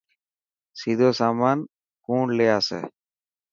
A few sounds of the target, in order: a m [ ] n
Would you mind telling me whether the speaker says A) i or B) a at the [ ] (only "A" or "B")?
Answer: B